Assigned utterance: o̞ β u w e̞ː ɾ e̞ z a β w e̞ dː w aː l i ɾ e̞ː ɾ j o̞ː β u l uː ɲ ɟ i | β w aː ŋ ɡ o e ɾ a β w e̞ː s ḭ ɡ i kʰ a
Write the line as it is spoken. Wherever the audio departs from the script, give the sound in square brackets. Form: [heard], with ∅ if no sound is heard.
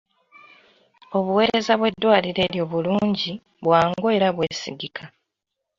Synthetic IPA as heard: o̞ β u w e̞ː ɾ e̞ z a β w e̞ dː w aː l i ɾ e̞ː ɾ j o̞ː β u l uː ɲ ɟ i | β w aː ŋ ɡ o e ɾ a β w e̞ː s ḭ ɡ i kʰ a